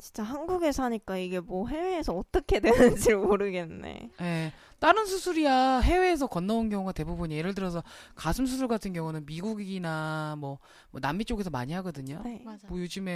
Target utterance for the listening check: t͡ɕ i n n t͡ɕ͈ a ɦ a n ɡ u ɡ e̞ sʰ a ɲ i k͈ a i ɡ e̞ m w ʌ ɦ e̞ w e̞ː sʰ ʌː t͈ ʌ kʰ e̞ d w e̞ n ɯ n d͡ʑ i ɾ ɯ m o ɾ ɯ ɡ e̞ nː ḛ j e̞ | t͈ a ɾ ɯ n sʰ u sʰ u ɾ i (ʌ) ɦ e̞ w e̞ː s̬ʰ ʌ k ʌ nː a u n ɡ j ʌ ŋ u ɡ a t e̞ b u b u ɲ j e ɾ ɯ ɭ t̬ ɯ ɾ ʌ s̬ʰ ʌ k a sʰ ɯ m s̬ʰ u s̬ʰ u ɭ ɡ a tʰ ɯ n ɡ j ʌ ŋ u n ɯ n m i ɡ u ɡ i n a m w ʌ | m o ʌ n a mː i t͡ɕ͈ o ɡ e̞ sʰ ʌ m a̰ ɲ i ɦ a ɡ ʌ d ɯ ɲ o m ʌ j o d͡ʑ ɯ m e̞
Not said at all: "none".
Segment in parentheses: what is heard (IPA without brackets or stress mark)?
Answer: a